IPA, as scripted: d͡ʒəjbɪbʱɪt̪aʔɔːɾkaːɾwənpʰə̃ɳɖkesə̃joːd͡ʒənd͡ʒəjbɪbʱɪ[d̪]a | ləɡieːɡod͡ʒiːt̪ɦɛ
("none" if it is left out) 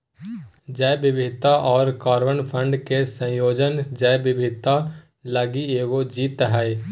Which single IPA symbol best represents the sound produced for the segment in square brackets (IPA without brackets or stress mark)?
t̪